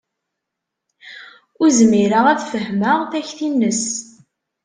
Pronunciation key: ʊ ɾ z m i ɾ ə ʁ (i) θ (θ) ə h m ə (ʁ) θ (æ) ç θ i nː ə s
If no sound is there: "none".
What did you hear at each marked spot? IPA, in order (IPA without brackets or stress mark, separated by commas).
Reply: æ, f, ʁ, æ